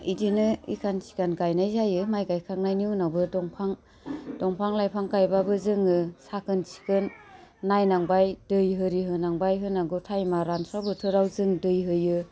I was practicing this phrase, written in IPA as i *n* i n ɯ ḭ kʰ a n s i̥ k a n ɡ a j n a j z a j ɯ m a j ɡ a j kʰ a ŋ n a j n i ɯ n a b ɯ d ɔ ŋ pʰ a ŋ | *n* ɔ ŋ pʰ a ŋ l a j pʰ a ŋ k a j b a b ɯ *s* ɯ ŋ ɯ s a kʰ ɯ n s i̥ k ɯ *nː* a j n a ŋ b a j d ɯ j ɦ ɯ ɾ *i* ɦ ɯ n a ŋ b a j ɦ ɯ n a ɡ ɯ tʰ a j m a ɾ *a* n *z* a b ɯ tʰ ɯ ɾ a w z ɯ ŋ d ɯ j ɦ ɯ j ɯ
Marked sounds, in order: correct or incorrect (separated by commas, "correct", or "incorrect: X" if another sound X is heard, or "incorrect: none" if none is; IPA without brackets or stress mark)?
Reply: incorrect: d, incorrect: d, incorrect: z, correct, correct, correct, incorrect: s